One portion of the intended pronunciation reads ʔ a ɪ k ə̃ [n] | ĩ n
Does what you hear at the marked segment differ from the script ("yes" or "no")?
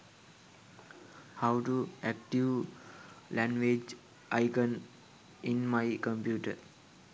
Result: no